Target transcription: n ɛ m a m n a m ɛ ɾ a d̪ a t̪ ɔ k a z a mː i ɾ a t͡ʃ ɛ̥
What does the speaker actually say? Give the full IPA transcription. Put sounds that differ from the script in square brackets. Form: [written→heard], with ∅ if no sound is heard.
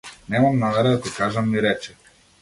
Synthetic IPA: n ɛ m a m n a m ɛ ɾ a d̪ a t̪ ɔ k a [z→ʒ] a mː i ɾ [a→ɛ] t͡ʃ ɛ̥